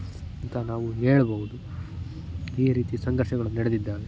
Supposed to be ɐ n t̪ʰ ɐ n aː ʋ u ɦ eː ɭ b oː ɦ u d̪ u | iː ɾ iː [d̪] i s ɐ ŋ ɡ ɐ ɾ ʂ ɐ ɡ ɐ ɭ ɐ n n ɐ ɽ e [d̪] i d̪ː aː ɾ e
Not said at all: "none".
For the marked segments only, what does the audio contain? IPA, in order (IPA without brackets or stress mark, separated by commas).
t̪, d̪